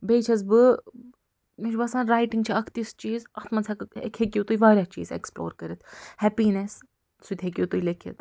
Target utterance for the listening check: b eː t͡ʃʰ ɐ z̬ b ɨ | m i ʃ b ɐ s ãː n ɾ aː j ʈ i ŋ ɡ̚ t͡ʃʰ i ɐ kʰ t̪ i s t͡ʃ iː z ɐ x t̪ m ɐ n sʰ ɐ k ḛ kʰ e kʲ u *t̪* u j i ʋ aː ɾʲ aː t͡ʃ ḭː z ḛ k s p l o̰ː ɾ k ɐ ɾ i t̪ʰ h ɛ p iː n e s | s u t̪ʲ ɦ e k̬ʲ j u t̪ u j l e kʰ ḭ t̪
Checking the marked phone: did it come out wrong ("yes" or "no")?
no